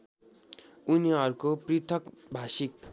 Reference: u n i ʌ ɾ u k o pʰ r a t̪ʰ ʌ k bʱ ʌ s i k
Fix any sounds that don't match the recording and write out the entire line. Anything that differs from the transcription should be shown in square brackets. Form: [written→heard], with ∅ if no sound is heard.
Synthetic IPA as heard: u n i ʌ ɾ u k o [pʰ→p] r [a→i] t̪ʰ ʌ k bʱ [ʌ→a] s i k